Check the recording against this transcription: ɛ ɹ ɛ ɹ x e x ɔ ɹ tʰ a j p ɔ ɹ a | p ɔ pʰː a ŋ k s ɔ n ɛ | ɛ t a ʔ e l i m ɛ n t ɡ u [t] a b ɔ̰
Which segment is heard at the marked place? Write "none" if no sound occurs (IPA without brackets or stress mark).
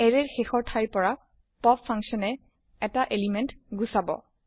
s